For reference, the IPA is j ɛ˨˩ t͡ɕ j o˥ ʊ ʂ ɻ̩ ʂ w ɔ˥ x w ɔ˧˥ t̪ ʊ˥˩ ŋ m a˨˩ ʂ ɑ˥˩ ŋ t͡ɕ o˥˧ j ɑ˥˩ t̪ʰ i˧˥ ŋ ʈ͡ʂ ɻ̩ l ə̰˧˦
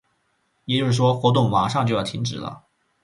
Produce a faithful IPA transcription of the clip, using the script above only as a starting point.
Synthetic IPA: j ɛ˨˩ t͡ɕ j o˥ ʊ ʂ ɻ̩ ʂ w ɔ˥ x w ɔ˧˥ t̪ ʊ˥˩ ŋ m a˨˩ ʂ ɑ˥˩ ŋ t͡ɕ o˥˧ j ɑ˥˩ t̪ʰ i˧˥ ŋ ʈ͡ʂ ɻ̩ l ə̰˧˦